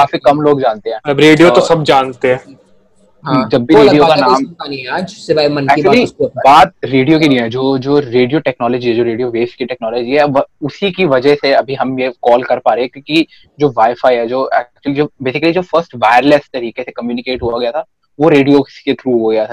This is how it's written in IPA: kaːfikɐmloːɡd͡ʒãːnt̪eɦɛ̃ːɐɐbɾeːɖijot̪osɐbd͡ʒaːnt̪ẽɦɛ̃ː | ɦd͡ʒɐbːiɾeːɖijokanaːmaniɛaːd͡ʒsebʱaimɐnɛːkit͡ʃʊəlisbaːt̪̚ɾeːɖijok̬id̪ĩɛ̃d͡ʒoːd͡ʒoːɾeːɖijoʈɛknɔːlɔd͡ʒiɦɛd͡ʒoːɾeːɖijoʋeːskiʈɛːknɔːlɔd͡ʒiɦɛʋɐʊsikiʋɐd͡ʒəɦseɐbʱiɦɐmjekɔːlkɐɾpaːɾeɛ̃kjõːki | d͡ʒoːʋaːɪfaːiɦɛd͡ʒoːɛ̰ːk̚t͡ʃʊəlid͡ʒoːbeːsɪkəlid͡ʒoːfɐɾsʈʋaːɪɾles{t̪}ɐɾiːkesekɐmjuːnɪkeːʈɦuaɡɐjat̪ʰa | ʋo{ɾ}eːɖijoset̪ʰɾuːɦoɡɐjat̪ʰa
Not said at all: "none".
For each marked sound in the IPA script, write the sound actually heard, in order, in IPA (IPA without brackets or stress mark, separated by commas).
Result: t̪, ɾ